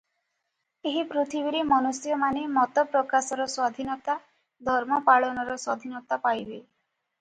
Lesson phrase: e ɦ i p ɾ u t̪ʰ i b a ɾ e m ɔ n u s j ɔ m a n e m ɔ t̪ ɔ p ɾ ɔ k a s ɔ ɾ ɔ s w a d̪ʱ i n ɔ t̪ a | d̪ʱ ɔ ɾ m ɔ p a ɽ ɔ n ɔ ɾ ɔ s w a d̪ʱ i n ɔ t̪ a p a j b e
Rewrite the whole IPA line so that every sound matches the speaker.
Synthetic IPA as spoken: e ɦ i p ɾ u t̪ʰ i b i ɾ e m ɔ n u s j ɔ m a n e m ɔ t̪ ɔ p ɾ ɔ k a s ɔ ɾ ɔ s w a d̪ʱ i n ɔ t̪ a | d̪ʱ ɔ ɾ m ɔ p a ɭ ɔ n ɔ ɾ ɔ s w a d̪ʱ i n ɔ t̪ a p a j b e